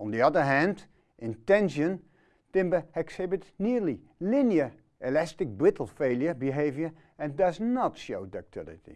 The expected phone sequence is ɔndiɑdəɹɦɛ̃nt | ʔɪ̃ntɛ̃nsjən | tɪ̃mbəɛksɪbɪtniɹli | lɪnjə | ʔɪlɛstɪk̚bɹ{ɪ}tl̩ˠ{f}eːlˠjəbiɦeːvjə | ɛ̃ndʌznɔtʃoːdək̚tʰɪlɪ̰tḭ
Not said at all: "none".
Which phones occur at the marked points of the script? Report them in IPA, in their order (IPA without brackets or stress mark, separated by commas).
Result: ɪ, f